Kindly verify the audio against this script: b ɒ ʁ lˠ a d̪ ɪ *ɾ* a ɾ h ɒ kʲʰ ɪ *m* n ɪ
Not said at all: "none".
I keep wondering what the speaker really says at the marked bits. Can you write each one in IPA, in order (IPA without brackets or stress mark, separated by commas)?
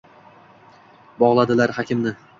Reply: l, m